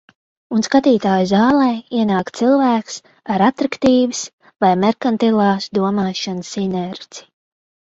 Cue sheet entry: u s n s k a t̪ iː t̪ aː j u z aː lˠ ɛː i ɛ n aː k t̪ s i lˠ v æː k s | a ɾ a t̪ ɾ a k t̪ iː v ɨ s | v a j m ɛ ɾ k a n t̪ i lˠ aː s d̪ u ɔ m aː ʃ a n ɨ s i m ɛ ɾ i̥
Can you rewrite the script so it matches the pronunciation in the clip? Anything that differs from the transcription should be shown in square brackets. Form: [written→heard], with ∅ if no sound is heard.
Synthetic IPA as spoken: u [s→∅] n s k a t̪ iː t̪ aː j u z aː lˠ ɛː i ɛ n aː k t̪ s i lˠ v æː k s | a ɾ a t̪ ɾ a k t̪ iː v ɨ s | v a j m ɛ ɾ k a n t̪ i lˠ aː s d̪ u ɔ m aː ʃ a n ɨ s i [m→n] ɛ ɾ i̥

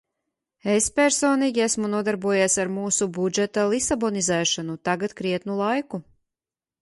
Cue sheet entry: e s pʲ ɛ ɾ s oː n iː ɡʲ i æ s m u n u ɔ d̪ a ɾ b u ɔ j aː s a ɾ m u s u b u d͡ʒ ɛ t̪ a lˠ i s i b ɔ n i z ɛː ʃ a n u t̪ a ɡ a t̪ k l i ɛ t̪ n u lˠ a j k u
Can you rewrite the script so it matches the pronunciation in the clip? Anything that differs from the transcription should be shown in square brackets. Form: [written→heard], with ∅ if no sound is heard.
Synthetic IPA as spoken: e s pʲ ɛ ɾ s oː n iː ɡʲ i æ s m u n u ɔ d̪ a ɾ b u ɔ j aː s a ɾ m [u→uː] s u b u d͡ʒ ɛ t̪ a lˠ i s [i→a] b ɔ n i z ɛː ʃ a n u t̪ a ɡ a t̪ k [l→ɾ] i ɛ t̪ n u lˠ a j k u

